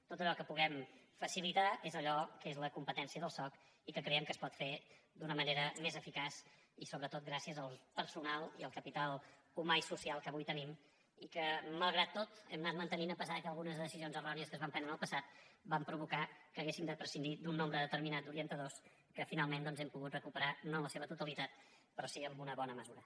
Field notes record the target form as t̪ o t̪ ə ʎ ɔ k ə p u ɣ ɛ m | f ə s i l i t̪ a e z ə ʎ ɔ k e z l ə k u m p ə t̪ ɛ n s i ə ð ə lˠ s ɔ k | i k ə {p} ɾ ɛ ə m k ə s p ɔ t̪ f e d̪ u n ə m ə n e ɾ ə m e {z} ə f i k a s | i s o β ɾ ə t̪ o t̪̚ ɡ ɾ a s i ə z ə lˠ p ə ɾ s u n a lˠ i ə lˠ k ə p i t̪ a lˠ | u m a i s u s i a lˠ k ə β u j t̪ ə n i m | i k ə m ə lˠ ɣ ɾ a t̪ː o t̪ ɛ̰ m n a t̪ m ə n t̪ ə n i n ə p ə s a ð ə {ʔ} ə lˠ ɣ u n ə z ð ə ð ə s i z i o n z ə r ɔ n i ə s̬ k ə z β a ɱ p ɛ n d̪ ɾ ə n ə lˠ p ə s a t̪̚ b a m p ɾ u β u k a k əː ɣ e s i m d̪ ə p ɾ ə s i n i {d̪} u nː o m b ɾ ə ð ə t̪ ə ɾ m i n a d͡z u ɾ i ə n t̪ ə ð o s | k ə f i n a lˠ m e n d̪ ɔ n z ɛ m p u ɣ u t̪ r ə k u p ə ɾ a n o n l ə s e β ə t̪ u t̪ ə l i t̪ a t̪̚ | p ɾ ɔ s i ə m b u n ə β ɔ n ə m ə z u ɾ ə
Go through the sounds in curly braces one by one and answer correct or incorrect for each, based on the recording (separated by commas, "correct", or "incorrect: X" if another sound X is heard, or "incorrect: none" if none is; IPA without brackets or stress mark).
incorrect: k, correct, incorrect: k, correct